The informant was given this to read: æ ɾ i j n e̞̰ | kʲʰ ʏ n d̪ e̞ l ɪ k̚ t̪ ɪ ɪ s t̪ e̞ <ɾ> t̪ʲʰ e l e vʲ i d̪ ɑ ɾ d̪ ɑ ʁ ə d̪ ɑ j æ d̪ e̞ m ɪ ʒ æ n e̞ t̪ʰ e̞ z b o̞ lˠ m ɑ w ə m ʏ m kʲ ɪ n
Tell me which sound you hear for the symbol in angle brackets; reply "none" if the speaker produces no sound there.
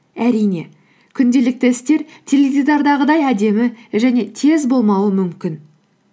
ɾ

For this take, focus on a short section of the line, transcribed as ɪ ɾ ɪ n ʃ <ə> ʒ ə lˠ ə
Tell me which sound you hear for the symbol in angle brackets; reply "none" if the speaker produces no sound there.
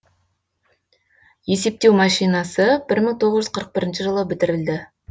ə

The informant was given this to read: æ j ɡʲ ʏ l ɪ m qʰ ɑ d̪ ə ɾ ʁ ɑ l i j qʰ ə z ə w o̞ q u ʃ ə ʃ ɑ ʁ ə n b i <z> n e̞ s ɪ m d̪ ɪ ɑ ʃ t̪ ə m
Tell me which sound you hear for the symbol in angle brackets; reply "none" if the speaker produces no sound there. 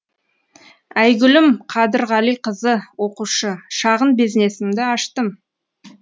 z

